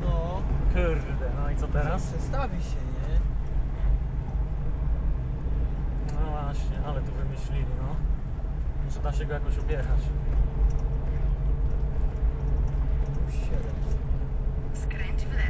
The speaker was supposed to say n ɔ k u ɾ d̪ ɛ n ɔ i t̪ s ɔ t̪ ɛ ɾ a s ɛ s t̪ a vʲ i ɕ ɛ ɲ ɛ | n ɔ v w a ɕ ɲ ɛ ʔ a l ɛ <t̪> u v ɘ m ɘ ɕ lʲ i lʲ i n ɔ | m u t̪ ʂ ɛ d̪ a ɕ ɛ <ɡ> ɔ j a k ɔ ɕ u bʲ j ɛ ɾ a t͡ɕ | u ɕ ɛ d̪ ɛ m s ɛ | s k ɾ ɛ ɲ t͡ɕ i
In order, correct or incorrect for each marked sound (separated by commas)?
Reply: correct, correct